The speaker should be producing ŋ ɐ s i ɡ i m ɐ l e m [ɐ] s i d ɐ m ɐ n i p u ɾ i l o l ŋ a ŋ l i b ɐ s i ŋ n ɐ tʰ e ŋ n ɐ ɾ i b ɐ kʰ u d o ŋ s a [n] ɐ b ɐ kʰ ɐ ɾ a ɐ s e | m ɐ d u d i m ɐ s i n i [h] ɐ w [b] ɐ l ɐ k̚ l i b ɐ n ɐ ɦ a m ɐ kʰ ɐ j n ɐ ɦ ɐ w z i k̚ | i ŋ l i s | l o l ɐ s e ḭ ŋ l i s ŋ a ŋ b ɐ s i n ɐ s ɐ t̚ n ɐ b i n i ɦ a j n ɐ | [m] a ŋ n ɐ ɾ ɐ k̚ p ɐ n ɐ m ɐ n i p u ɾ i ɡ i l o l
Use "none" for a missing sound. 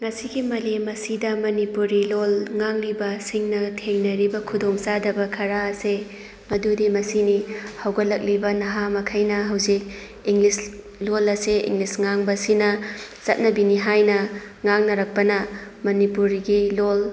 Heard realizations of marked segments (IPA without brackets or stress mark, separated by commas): ɐ, d, h, ɡ, ŋ